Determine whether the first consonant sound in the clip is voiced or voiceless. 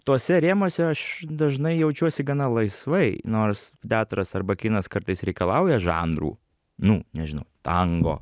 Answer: voiceless